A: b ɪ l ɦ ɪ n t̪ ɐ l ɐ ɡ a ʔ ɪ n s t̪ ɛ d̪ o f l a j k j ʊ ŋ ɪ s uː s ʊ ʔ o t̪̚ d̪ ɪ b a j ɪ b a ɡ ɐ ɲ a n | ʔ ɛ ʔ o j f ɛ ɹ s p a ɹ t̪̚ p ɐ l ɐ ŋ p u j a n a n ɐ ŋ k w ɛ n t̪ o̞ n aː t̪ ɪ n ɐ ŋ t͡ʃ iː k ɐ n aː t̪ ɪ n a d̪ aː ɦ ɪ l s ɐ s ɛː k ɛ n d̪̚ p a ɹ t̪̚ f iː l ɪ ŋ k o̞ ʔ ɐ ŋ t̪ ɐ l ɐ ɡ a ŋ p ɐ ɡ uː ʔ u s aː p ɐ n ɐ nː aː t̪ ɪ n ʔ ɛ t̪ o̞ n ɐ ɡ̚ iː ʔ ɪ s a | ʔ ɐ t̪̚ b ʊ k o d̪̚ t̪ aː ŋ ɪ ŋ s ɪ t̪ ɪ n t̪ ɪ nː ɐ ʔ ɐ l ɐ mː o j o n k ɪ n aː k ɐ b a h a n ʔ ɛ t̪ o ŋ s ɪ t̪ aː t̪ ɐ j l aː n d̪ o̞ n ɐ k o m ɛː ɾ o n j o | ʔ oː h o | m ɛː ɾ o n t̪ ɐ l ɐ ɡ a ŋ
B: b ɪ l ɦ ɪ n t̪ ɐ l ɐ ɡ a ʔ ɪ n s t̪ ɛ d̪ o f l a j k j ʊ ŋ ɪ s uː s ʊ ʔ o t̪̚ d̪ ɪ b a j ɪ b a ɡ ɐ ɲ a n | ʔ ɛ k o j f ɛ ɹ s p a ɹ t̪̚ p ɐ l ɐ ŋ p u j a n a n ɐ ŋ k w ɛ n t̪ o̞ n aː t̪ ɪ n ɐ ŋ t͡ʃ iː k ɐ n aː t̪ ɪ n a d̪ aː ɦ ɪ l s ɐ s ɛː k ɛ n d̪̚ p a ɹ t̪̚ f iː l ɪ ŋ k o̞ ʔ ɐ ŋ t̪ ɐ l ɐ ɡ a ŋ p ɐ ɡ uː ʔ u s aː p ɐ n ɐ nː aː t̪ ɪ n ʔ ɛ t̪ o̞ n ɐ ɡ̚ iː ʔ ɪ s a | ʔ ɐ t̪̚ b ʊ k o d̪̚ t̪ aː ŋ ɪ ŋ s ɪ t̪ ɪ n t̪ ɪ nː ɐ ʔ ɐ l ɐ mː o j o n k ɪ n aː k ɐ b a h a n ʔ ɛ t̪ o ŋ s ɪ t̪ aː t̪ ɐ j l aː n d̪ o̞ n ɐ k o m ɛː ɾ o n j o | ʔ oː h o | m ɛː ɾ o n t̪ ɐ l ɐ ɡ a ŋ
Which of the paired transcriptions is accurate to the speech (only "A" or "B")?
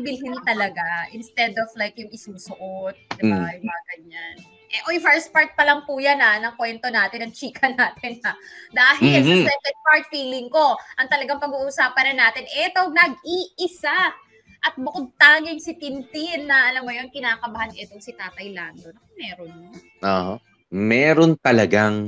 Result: A